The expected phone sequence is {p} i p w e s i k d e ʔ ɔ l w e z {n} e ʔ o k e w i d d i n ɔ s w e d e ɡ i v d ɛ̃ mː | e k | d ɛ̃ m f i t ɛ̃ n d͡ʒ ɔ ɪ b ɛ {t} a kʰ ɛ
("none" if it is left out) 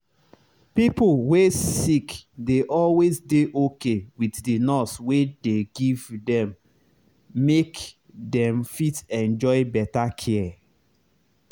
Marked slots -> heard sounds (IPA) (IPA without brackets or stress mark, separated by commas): p, d, t